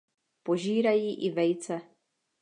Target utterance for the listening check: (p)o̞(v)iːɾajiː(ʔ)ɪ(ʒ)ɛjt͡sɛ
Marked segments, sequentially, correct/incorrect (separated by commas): correct, incorrect, correct, incorrect